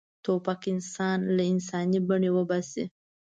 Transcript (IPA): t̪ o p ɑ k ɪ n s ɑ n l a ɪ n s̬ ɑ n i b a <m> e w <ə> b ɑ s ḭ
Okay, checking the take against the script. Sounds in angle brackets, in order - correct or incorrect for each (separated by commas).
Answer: incorrect, correct